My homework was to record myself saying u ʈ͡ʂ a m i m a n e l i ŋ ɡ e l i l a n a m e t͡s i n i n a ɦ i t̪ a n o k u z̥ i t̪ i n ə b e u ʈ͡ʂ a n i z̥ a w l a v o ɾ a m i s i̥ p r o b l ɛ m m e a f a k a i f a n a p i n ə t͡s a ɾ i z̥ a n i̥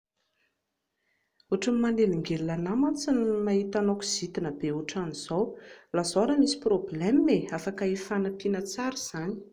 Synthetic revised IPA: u ʈ͡ʂ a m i m a n e l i ŋ ɡ e l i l a n a m a t͡s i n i m a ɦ i t̪ a n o k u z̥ i t̪ i n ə b e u ʈ͡ʂ a n i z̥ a w l a z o ɾ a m i s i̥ p r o b l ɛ m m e a f a k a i f a n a p i n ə t͡s a ɾ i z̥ a n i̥